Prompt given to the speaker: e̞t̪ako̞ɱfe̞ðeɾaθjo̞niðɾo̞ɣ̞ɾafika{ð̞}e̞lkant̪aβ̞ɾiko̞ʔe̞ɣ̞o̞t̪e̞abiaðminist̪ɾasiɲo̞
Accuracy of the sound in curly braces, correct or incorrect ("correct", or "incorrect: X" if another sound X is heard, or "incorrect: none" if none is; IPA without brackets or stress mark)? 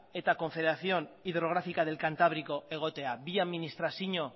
correct